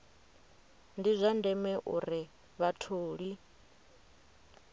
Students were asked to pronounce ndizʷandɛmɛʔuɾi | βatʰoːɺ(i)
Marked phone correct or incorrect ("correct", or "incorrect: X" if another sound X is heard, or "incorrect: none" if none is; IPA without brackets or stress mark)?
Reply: correct